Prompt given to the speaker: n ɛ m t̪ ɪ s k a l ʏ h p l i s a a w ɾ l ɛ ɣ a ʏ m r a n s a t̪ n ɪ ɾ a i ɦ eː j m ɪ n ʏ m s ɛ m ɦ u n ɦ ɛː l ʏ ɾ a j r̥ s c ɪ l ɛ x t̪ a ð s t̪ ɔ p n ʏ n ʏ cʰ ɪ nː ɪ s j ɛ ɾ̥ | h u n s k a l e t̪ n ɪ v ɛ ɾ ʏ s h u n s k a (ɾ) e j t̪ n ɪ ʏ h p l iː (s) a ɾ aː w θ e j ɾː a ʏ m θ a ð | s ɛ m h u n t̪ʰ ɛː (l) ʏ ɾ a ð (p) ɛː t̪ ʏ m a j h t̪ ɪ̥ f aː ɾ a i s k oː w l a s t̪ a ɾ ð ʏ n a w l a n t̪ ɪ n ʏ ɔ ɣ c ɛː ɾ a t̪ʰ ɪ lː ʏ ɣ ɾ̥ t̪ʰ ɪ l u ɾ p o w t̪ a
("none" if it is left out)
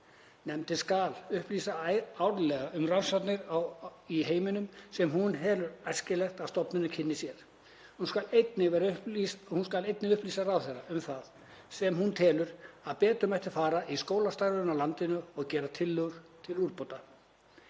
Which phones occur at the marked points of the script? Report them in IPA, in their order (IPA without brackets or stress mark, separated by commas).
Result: l, s, l, p